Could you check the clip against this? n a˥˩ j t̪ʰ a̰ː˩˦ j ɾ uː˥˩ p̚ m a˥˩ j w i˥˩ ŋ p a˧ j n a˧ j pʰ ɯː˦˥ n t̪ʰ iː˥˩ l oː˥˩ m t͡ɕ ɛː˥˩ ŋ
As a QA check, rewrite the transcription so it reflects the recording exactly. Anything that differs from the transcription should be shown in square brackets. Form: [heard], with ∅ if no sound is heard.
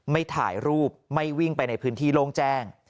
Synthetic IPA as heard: [m] a˥˩ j t̪ʰ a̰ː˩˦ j ɾ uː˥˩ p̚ m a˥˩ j w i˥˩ ŋ p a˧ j n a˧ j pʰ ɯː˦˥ n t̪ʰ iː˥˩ l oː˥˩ [ŋ] t͡ɕ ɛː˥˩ ŋ